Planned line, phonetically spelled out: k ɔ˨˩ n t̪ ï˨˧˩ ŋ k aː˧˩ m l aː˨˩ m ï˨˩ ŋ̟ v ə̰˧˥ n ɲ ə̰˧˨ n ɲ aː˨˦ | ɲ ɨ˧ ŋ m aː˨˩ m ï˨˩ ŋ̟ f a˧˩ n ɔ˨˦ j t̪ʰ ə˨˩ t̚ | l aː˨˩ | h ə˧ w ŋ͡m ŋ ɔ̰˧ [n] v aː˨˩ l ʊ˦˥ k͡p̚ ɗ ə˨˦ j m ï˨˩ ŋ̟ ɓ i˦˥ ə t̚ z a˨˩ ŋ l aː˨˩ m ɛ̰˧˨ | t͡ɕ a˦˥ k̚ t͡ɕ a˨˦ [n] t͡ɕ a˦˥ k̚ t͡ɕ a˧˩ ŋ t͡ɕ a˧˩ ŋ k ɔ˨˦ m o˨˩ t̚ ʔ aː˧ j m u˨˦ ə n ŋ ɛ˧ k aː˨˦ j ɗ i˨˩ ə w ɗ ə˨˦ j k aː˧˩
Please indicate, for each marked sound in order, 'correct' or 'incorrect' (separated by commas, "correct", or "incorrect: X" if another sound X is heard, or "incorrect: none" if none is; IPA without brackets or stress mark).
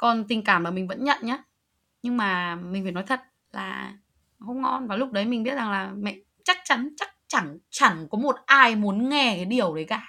correct, correct